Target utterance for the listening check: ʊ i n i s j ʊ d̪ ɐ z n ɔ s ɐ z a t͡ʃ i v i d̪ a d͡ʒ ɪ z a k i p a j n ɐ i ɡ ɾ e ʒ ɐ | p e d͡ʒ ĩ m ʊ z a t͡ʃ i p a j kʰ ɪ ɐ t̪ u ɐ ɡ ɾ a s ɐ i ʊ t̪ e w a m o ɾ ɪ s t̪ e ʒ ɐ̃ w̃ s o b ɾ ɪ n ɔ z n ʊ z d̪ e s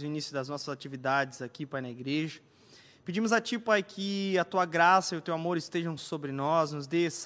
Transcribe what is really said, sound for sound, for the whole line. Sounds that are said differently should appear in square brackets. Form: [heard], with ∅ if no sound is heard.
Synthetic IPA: ʊ i n i s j ʊ d̪ ɐ z n ɔ s ɐ z a t͡ʃ i v i d̪ a d͡ʒ ɪ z a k i p a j n ɐ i ɡ ɾ e ʒ ɐ | p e d͡ʒ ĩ m ʊ z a t͡ʃ i p a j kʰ ɪ ɐ t̪ u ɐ ɡ ɾ a s ɐ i ʊ t̪ e w a m o ɾ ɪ s t̪ e ʒ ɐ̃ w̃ s o b ɾ ɪ n ɔ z n ʊ z d̪ e s